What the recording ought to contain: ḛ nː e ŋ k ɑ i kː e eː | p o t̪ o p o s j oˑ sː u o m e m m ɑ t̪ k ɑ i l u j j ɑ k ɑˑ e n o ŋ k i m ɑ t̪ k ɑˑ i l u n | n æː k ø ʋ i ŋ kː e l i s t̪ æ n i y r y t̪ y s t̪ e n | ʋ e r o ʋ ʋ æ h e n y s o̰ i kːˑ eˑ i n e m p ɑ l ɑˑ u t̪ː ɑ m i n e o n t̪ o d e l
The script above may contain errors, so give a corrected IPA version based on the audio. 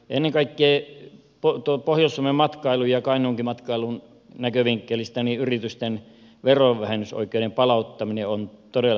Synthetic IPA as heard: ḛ nː e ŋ k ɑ i kː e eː | p o t̪ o p o h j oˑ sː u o m e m m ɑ t̪ k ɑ i l u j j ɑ k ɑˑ i n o ŋ k i m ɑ t̪ k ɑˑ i l u n | n æ k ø ʋ i ŋ kː e l i s t̪ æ n i y r i t̪ y s t̪ e n | ʋ e r o ʋ ʋ æ h e n y s o̰ i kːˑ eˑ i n e m p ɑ l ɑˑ u t̪ː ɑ m i n e o n t̪ o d e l